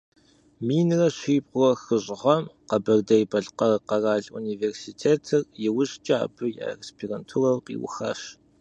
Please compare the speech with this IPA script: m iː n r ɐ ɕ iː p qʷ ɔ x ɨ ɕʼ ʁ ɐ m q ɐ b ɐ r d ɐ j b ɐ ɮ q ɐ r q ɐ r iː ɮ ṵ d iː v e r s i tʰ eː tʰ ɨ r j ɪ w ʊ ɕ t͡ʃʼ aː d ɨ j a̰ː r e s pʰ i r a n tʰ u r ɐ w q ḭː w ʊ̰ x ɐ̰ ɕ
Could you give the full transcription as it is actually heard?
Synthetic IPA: m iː n r ɐ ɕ iː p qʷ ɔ x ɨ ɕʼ ʁ ɐ m q ɐ b ɐ r d ɐ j b ɐ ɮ q ɐ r q ɐ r aː ɮ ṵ n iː v e r s i tʰ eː tʰ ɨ r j ɪ w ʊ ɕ t͡ʃʼ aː b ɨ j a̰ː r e s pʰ i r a n tʰ u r ɐ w q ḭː w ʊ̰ x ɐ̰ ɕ